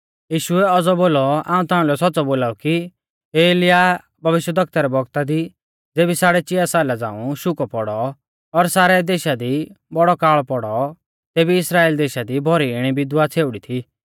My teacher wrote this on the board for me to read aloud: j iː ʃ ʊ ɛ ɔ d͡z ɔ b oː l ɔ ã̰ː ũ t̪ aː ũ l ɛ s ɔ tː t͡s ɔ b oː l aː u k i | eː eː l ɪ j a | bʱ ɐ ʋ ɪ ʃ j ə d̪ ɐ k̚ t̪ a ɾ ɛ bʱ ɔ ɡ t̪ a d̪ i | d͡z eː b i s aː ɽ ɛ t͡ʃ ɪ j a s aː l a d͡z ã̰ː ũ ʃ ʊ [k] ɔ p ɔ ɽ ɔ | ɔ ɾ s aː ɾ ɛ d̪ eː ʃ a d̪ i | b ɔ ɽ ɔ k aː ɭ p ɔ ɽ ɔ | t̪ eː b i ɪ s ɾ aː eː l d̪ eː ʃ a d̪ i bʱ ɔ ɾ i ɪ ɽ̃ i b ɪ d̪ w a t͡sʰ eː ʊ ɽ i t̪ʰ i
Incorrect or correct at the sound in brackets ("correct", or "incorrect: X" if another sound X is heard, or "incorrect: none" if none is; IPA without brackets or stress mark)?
correct